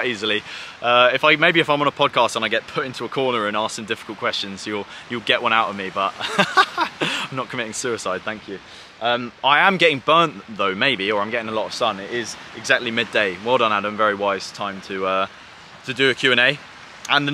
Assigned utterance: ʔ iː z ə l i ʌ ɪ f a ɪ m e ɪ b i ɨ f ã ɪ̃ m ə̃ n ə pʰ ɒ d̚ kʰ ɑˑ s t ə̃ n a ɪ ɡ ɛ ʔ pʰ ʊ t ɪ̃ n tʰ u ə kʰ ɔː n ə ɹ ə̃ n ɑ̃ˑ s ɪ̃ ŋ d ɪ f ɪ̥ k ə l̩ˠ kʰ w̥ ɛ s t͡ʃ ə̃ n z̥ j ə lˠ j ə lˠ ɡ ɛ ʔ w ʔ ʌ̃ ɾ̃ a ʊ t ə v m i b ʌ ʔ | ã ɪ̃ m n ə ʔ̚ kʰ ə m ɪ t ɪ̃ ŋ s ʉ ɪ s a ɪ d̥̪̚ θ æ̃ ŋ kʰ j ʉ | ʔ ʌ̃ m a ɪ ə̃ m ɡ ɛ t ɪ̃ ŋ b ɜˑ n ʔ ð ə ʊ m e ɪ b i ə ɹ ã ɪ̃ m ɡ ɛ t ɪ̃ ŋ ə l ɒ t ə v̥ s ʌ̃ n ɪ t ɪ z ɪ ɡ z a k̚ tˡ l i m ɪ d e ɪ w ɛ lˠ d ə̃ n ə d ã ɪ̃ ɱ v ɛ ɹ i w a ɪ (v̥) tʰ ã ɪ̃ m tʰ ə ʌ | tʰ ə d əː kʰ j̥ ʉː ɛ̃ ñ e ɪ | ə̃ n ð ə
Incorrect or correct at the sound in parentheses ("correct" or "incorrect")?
incorrect